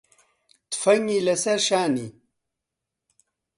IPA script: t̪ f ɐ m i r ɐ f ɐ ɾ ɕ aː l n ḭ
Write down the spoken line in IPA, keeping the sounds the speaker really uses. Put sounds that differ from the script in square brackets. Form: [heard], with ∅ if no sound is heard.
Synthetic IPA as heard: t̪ f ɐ [ŋ] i [l] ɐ [s] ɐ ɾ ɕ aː [∅] n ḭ